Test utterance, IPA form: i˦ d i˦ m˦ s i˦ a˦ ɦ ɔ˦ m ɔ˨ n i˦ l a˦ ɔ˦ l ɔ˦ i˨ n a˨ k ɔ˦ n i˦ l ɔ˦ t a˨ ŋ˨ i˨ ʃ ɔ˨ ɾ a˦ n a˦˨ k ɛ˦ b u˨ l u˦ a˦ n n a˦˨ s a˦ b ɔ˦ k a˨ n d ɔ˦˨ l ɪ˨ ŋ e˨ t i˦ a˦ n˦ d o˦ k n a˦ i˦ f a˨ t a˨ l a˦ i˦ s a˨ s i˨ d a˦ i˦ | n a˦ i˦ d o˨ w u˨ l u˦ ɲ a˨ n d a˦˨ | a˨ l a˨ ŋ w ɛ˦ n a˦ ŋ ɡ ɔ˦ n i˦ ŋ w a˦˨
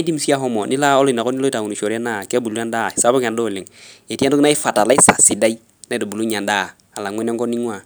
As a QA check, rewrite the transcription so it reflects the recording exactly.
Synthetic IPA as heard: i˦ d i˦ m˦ s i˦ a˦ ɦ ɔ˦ m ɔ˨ n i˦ l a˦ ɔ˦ l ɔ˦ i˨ n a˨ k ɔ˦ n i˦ l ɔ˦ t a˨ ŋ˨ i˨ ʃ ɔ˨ ɾ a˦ n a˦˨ k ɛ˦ b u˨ l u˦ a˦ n d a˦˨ s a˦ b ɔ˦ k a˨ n d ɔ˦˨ l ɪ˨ ŋ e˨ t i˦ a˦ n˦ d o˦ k n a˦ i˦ f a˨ t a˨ l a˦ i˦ s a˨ s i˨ d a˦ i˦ | n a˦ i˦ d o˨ b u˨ l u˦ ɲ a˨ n d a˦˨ | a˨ l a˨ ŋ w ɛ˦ n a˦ ŋ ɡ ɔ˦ n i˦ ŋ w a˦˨